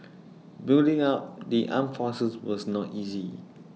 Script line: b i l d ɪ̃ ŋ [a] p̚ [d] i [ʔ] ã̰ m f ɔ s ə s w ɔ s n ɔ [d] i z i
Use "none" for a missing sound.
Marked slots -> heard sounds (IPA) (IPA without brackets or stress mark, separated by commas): a, d, ʔ, t